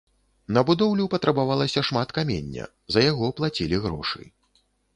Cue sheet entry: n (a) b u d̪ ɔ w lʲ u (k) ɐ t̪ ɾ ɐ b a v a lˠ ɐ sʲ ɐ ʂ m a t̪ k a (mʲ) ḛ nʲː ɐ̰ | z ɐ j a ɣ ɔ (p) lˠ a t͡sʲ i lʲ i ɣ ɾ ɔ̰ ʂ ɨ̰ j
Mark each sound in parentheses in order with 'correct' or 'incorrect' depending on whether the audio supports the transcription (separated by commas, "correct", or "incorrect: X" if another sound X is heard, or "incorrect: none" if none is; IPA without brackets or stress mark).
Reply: incorrect: ɐ, incorrect: p, correct, correct